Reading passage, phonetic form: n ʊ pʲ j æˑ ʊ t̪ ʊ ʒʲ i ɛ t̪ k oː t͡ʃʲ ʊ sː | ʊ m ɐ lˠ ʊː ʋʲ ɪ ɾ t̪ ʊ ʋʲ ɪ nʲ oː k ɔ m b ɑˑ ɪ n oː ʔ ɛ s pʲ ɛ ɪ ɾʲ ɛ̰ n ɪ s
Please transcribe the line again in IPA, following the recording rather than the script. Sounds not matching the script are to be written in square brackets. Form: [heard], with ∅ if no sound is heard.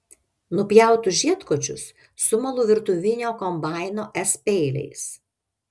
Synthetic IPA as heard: n ʊ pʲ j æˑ ʊ t̪ ʊ ʒʲ i ɛ t̪ k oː t͡ʃʲ ʊ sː | ʊ m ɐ lˠ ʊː ʋʲ ɪ ɾ t̪ ʊ ʋʲ ɪ nʲ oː k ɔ m b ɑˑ ɪ n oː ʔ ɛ s pʲ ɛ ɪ [lʲ] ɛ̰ [∅] ɪ s